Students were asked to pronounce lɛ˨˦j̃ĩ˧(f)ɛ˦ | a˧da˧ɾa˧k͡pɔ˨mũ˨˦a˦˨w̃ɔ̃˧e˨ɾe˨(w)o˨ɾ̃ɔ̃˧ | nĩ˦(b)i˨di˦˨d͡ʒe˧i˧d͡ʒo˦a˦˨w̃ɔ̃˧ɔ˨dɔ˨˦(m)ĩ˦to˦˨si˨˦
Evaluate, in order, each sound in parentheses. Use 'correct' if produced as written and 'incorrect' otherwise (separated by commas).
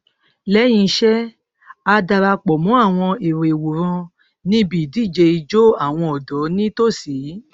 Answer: incorrect, correct, correct, incorrect